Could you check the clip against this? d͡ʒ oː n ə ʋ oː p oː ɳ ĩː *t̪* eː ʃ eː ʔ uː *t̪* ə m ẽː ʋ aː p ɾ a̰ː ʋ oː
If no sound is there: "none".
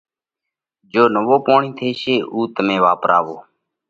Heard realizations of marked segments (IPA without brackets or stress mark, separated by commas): t̪ʰ, t̪